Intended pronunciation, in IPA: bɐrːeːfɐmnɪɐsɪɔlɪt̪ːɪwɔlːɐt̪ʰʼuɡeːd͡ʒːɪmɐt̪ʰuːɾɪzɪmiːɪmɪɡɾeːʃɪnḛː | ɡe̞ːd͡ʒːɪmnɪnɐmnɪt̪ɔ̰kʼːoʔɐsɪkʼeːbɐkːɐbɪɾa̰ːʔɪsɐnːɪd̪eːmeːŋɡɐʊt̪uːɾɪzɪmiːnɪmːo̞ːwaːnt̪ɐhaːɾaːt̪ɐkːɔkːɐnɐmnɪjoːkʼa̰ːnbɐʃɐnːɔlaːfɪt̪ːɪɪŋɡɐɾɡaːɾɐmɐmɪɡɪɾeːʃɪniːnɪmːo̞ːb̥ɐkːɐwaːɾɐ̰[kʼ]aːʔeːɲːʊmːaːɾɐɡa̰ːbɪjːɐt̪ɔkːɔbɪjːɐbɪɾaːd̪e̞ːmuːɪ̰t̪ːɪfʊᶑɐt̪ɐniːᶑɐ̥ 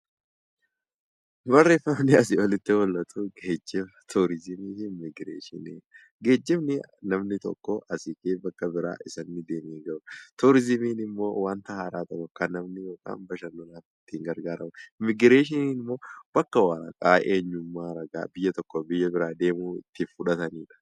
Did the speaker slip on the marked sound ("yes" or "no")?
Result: no